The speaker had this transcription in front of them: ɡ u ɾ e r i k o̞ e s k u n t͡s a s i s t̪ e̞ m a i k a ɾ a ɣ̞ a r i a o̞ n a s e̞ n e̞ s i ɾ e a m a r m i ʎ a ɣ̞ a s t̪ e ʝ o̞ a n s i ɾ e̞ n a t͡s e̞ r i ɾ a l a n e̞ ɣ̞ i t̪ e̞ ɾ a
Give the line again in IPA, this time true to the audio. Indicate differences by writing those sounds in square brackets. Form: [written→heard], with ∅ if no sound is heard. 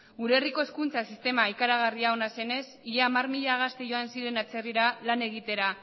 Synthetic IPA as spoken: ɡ u ɾ e r i k o̞ e s k u n t͡s a s i s t̪ e̞ m a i k a ɾ a ɣ̞ a r i a o̞ n a s e̞ n e̞ s i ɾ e a m a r m i ʎ a ɣ̞ a s t̪ e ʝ o̞ a n s i ɾ e̞ n a t͡s e̞ r i ɾ a l a n e̞ ɣ̞ i t̪ e̞ ɾ a